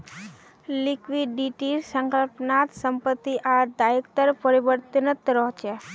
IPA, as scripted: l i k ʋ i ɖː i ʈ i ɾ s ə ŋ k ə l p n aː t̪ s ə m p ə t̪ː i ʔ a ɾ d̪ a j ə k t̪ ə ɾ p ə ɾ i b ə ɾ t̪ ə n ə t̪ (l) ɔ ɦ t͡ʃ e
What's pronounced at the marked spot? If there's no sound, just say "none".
ɾ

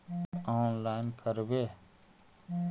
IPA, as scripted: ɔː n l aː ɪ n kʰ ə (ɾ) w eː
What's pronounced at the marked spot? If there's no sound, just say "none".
ɾ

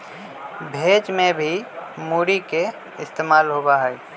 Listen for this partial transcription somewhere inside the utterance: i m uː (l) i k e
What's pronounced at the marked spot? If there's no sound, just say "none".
ɾ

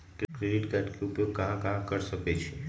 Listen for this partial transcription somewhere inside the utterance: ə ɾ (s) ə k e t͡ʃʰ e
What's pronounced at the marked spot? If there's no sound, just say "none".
ʃ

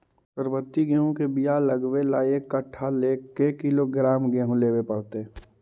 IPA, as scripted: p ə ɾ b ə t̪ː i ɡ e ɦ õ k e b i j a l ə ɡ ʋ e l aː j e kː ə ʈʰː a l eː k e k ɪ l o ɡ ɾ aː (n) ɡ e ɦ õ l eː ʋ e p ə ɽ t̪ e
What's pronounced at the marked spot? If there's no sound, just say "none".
m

